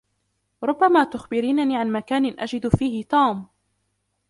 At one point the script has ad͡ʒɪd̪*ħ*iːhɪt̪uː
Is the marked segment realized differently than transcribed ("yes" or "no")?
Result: yes